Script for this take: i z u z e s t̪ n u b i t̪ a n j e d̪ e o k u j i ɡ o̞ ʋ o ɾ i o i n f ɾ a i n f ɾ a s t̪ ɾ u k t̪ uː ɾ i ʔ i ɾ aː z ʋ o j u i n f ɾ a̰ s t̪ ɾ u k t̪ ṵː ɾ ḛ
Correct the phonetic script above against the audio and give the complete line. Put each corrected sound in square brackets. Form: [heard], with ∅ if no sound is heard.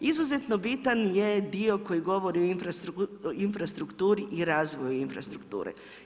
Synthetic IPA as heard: i z u z e [∅] t̪ n [o] b i t̪ a n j e d̪ [i] o k [o] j i ɡ o̞ ʋ o ɾ i o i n f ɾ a i n f ɾ a s t̪ ɾ u k t̪ uː ɾ i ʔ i ɾ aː z ʋ o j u i n f ɾ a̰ s t̪ ɾ u k t̪ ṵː ɾ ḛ